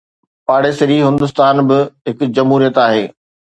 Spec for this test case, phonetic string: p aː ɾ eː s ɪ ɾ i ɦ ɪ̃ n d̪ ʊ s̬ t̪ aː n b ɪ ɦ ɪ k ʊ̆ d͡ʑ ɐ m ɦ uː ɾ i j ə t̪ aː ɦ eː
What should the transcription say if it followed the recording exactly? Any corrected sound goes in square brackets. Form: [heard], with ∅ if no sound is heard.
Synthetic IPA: p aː [ɽ] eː s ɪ ɾ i ɦ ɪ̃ n d̪ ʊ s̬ t̪ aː n b ɪ ɦ ɪ k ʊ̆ d͡ʑ ɐ m ɦ uː ɾ i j ə t̪ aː ɦ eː